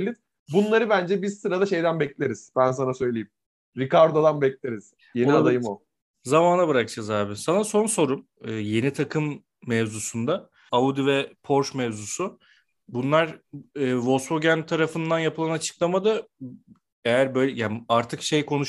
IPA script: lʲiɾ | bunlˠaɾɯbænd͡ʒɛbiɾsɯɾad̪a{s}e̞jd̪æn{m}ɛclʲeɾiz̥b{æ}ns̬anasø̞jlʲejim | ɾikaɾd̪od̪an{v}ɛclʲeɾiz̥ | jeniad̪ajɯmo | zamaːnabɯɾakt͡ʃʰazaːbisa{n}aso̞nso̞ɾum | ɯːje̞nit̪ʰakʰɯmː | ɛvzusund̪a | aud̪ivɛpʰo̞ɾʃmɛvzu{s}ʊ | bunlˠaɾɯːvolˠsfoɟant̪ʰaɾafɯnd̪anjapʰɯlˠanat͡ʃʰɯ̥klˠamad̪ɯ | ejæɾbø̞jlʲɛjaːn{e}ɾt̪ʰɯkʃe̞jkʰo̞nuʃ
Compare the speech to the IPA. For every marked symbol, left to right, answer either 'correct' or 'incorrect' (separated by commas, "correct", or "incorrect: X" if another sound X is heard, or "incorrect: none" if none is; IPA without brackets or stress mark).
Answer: incorrect: ʃ, incorrect: b, correct, incorrect: b, correct, correct, incorrect: a